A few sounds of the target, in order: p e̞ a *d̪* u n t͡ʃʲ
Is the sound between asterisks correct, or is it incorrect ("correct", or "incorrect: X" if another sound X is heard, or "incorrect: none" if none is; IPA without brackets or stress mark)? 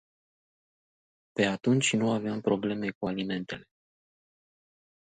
incorrect: t̪